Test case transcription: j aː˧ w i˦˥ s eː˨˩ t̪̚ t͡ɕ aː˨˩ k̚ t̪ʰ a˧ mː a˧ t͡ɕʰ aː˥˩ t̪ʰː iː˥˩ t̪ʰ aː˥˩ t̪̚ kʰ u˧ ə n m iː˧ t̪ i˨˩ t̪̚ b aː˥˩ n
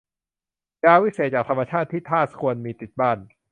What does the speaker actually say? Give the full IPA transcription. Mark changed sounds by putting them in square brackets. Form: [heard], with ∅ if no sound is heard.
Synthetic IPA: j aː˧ w i˦˥ s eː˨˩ t̪̚ t͡ɕ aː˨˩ k̚ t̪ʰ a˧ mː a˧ t͡ɕʰ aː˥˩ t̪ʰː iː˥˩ t̪ʰ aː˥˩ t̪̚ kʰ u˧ ə n m iː˧ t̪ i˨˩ t̪̚ b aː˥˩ n